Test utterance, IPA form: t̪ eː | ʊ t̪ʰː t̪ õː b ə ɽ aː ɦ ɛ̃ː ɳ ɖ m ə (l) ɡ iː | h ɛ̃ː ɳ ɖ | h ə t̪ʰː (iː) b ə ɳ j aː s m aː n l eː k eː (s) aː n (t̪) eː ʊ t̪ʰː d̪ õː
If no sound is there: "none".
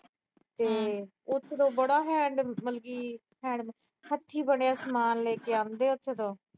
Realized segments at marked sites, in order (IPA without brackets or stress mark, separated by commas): l, iː, none, d̪